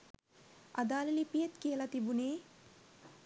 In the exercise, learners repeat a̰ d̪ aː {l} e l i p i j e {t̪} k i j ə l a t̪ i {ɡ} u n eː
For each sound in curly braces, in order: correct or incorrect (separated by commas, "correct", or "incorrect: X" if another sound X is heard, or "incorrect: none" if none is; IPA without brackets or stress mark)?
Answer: correct, correct, incorrect: b